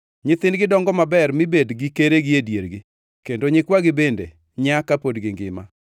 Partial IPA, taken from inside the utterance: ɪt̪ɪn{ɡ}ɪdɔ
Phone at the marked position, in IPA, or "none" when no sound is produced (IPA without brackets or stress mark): ɡ